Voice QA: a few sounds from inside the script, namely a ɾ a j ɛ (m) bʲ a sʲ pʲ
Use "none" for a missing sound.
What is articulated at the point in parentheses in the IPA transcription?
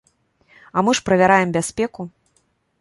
m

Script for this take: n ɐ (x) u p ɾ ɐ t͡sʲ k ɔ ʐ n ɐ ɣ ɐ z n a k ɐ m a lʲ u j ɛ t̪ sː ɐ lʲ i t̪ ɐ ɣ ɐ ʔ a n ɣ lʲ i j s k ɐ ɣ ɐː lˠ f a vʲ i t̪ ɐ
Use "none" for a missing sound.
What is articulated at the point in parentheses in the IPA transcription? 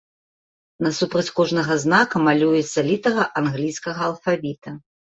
s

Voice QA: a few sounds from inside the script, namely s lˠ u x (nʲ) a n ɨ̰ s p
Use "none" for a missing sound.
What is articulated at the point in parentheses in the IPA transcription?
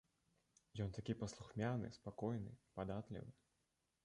mʲ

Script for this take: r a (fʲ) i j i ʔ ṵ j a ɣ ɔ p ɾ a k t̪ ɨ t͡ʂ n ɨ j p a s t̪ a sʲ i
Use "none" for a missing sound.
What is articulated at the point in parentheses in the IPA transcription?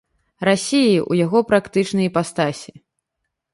sʲ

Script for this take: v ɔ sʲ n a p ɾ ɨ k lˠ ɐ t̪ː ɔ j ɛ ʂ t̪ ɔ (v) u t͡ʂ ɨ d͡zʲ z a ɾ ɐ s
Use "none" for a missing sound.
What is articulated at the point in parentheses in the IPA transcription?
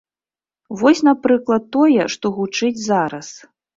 ɣ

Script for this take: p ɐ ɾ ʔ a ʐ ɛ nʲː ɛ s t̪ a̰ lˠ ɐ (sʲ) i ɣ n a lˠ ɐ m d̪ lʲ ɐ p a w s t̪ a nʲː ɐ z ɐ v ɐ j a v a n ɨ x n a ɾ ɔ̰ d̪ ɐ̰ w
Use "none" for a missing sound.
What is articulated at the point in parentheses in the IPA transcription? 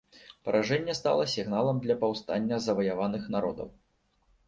sʲ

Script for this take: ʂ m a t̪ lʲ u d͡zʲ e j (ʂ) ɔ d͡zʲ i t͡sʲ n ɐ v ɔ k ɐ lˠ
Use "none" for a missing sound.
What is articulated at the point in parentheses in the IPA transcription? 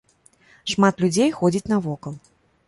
x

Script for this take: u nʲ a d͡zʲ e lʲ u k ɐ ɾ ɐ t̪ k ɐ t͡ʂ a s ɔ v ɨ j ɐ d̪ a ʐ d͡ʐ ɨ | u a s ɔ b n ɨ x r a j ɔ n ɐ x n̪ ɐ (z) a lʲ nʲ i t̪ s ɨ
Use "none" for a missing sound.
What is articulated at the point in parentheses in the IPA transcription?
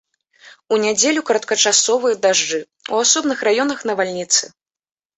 v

